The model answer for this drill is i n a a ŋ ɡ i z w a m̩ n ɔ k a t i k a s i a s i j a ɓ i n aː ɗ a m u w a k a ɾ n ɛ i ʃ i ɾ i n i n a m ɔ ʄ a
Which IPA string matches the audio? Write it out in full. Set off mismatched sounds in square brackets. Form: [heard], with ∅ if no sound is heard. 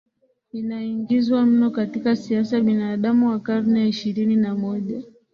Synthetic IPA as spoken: i n a [i] ŋ ɡ i z w a m̩ n ɔ k a t i k a s i a s [a] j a ɓ i n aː ɗ a m u w a k a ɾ n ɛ i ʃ i ɾ i n i n a m ɔ ʄ a

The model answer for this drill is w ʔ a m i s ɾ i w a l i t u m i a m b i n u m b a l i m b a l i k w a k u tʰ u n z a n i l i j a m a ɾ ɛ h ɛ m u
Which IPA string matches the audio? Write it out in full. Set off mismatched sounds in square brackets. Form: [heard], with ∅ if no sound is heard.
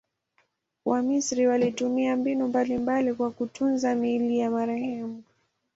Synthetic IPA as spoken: w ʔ a m i s ɾ i w a l i t u m i a m b i n u m b a l i m b a l i k w a k u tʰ u n z a [m] i l i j a m a ɾ ɛ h ɛ m u

